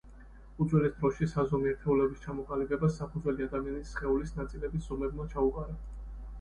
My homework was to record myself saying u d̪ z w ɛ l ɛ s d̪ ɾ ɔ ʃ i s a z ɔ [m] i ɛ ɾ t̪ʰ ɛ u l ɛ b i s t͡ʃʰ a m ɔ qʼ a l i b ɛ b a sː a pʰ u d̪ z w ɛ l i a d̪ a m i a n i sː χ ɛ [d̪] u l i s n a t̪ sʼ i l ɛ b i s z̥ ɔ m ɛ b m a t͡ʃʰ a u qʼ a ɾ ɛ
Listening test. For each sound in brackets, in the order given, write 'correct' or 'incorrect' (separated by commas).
correct, incorrect